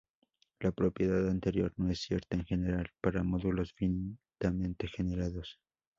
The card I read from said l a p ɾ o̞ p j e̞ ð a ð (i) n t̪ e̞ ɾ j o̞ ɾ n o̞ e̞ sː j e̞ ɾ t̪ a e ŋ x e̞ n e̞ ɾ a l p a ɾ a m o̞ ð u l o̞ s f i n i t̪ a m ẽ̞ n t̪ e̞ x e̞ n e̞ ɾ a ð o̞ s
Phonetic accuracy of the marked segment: incorrect: a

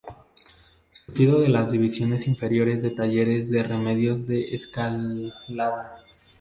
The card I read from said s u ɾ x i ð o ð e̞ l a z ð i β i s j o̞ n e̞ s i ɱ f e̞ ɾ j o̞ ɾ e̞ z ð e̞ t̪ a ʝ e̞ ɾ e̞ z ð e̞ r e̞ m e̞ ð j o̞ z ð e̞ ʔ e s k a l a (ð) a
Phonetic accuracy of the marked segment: correct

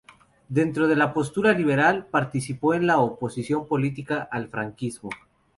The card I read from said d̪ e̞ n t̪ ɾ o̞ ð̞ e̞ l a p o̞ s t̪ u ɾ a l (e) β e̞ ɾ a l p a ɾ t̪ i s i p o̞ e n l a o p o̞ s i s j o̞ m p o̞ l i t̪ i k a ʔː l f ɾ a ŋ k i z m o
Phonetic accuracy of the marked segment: incorrect: i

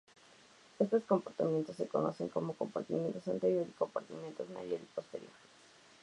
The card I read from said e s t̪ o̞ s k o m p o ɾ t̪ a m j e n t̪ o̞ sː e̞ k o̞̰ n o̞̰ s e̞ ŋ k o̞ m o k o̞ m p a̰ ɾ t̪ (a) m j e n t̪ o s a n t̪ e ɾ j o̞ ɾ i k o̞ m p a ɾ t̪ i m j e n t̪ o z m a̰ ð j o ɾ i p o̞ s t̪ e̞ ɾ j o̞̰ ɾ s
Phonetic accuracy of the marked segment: incorrect: i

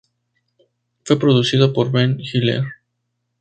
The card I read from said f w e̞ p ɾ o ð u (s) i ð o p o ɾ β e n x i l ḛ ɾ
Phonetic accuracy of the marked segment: correct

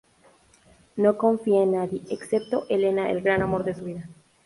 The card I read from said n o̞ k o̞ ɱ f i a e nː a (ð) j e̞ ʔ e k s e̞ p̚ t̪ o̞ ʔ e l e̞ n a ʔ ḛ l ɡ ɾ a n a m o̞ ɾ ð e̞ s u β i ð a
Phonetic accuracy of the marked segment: correct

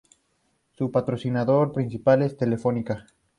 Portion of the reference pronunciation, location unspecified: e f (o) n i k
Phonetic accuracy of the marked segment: correct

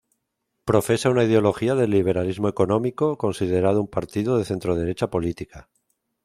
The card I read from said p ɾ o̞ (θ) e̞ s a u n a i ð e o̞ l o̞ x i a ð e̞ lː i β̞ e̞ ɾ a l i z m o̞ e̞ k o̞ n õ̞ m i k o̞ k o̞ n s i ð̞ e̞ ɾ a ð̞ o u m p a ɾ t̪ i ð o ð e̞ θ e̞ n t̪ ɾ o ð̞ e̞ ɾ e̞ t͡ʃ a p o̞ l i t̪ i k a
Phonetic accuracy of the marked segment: incorrect: f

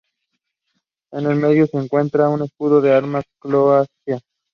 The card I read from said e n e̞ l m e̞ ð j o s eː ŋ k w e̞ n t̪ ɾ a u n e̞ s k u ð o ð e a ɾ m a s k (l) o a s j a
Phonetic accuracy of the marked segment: correct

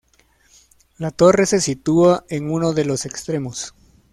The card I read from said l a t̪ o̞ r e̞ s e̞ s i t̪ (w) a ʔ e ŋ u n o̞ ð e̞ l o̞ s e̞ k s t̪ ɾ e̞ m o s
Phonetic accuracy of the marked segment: incorrect: u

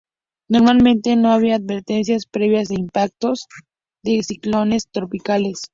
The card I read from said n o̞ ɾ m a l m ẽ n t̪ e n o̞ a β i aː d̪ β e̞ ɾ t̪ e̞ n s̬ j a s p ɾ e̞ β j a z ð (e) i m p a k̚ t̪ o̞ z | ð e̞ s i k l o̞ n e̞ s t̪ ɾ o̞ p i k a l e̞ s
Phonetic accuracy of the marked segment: correct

